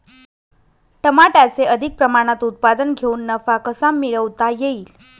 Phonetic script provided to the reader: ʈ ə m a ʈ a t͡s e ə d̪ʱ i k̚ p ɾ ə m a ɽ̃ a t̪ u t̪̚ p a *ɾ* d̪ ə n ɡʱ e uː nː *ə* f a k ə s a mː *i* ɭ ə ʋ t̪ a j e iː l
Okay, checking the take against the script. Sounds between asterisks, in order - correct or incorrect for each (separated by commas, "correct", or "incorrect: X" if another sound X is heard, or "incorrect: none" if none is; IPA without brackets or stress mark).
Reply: incorrect: none, correct, correct